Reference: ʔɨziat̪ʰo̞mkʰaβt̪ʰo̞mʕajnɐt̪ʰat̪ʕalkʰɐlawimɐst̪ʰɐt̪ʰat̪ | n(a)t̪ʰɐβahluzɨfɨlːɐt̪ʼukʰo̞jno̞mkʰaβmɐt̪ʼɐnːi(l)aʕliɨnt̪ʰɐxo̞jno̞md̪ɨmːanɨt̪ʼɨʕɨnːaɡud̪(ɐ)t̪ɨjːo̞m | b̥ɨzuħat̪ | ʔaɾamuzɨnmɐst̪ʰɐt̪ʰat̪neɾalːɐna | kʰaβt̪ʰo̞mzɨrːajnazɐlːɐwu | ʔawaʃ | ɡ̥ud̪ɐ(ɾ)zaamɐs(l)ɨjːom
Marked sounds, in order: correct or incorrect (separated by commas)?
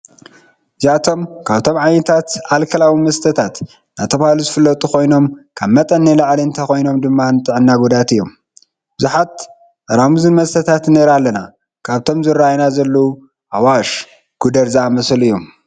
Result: correct, correct, incorrect, correct, correct